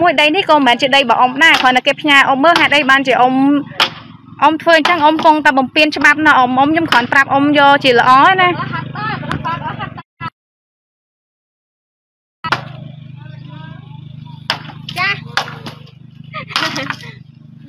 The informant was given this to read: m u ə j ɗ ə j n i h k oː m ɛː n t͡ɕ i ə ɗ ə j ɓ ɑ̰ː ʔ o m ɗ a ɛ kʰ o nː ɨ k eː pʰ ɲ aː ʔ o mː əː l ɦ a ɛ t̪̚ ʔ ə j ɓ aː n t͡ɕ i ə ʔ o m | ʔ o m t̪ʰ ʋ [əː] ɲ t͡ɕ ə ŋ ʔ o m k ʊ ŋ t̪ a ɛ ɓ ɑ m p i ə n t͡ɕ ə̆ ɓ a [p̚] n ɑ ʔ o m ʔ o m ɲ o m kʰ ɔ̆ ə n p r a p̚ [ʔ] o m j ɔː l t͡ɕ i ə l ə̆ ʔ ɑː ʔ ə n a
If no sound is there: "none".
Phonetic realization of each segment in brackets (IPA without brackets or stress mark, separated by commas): əː, p̚, ʔ